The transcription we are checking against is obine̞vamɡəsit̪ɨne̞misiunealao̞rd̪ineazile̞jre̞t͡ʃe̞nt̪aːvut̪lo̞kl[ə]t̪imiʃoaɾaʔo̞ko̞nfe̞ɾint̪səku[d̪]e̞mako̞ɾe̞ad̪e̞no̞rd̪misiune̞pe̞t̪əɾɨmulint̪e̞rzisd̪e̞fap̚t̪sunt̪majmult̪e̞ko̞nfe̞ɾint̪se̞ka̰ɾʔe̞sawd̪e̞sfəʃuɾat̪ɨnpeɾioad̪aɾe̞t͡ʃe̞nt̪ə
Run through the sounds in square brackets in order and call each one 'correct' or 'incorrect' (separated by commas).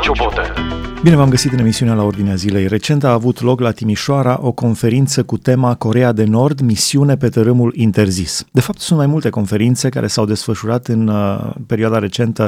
incorrect, incorrect